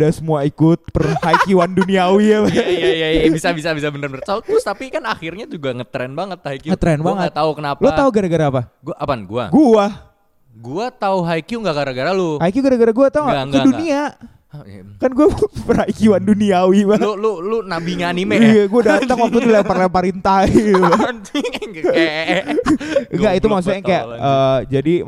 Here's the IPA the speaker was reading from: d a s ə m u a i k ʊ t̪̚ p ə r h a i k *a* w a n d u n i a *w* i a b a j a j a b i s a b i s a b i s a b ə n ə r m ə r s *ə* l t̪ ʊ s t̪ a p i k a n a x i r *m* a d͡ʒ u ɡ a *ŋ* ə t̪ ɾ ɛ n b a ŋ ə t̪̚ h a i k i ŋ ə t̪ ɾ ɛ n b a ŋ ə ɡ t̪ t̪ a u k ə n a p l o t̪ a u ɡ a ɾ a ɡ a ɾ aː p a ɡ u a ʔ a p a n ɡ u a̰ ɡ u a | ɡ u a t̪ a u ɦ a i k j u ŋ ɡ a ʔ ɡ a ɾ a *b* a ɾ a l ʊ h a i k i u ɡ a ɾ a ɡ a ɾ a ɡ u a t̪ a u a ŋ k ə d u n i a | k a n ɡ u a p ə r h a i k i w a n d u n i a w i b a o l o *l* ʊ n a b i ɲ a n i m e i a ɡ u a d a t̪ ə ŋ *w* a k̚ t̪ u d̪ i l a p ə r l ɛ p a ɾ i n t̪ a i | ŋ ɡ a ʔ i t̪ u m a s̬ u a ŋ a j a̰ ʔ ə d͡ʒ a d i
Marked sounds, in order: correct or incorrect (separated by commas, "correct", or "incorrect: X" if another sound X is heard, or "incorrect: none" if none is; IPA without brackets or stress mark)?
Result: incorrect: i, correct, incorrect: a, incorrect: ɲ, correct, incorrect: ɡ, correct, correct